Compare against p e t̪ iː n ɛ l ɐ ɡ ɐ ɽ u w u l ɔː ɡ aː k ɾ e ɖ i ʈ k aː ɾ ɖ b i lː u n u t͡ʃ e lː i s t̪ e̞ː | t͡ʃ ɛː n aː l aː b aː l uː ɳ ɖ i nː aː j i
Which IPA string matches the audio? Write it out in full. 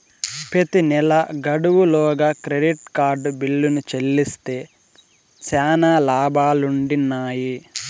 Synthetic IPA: p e t̪ i n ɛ l ɐ ɡ ɐ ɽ u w u l ɔː ɡ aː k ɾ e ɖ i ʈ k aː ɾ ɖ b i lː u n u t͡ʃ e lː i s t̪ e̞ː | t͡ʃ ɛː n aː l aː b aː l u ɳ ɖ i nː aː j i